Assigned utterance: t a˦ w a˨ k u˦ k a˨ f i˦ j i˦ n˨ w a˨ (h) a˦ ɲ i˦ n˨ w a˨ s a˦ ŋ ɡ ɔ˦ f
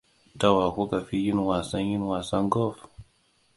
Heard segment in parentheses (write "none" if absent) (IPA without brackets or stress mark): s